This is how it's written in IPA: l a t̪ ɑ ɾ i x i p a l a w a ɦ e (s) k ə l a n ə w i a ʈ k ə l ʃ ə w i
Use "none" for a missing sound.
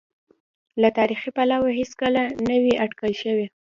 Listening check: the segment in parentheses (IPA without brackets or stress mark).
s